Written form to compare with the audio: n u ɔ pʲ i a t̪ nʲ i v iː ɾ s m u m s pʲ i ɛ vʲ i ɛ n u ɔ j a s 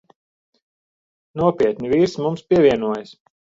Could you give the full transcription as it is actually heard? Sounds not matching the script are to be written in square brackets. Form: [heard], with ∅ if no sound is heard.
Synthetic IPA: n u ɔ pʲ i [ɛ] t̪ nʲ i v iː ɾ s m u m s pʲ i ɛ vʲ i ɛ n u ɔ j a s

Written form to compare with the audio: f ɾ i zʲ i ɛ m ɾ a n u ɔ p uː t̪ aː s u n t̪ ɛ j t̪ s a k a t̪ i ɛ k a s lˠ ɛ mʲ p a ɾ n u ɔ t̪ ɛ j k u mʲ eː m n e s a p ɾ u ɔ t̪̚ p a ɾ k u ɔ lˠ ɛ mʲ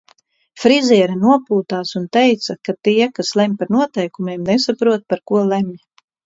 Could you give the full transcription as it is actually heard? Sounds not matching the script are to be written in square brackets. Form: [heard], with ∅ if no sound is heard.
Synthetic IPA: f ɾ i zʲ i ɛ [∅] ɾ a n u ɔ p uː t̪ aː s u n t̪ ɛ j t̪ s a k a t̪ i ɛ k a s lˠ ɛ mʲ p a ɾ n u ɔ t̪ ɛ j k u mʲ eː m n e s a p ɾ u ɔ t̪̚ p a ɾ k u ɔ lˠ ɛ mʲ

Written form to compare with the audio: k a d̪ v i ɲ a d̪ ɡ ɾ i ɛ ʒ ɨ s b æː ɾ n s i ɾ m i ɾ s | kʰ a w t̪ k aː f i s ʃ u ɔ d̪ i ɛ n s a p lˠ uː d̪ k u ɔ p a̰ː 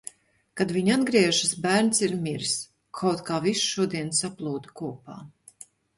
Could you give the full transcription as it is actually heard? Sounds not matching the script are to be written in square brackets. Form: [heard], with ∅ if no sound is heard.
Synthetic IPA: k a d̪ v i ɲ a d̪ ɡ ɾ i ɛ ʒ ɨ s b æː ɾ n s i ɾ m i ɾ s | kʰ a w t̪ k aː [v] i s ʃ u ɔ d̪ i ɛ n s a p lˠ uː d̪ k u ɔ p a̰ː

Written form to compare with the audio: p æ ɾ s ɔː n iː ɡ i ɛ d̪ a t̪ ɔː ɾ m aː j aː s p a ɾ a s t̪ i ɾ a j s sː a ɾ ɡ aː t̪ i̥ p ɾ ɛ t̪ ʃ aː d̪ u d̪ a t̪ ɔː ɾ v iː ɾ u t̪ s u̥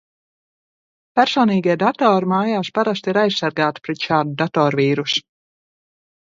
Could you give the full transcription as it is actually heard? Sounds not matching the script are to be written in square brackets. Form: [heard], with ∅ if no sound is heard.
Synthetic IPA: p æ ɾ s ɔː n iː ɡ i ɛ d̪ a t̪ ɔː ɾ m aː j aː s p a ɾ a s t̪ i ɾ a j s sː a ɾ ɡ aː t̪ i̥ p ɾ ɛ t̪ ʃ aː d̪ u d̪ a t̪ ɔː ɾ v iː ɾ u [∅] s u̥

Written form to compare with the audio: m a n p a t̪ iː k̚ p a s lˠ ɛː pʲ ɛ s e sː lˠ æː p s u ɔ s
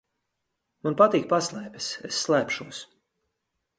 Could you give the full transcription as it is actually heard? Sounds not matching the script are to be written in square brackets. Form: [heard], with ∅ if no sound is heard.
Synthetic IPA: m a n p a t̪ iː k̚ p a s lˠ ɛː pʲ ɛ s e sː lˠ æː p [ʃ] u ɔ s

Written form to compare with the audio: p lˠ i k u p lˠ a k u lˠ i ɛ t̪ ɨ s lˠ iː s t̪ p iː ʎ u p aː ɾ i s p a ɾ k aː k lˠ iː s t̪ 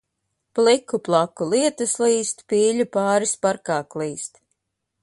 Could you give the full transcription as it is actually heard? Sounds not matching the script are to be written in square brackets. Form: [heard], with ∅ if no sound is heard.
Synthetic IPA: p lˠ i k u p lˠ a k u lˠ i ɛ t̪ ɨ s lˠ iː s t̪ p iː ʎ u p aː ɾ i s p a ɾ k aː k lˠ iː s t̪

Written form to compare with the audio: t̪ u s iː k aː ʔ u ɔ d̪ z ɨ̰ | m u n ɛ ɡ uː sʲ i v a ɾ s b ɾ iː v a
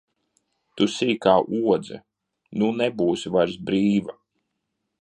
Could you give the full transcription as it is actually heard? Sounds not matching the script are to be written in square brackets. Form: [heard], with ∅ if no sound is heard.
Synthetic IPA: t̪ u s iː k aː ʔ u ɔ d̪ z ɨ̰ | [n] u n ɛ [b] uː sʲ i v a ɾ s b ɾ iː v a

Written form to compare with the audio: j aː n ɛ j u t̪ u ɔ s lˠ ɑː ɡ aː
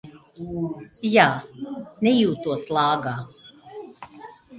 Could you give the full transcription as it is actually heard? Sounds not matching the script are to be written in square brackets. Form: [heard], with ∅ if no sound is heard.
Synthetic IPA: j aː n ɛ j [uː] t̪ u ɔ s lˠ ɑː ɡ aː

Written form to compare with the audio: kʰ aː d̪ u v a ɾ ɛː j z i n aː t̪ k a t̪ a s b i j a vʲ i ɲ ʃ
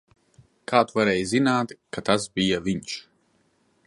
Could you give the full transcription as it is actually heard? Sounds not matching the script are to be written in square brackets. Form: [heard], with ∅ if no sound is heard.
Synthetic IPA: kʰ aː [t̪] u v a ɾ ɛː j z i n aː t̪ k a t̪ a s b i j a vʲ i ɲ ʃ

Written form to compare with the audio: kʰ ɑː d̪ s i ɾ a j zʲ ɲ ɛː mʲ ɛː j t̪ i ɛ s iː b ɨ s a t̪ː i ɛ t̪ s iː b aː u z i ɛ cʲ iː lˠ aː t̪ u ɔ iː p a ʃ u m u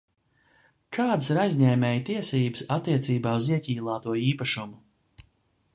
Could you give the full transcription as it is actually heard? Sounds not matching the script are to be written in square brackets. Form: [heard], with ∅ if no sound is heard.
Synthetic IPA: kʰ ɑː d̪ s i ɾ a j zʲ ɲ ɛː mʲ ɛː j t̪ i ɛ s iː b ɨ s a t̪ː i ɛ t̪ s iː b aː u z i ɛ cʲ iː lˠ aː t̪ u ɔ iː p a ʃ u m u

